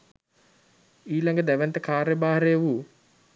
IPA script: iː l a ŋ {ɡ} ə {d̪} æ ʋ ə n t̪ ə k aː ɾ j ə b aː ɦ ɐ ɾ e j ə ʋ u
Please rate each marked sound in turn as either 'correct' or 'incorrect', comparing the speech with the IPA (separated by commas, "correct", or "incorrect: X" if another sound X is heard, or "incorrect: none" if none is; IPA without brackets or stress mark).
correct, correct